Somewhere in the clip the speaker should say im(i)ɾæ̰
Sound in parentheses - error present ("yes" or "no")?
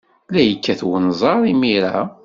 no